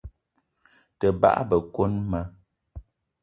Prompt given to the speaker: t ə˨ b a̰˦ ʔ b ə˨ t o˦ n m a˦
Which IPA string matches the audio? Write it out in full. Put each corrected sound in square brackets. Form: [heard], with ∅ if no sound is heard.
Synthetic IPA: t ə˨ b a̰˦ ʔ b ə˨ [k] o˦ n m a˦